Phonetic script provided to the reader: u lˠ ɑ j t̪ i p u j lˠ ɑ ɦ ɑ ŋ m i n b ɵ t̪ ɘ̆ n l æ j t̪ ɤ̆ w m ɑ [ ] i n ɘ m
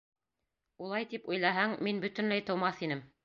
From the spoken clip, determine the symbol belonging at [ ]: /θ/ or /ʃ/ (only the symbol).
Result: θ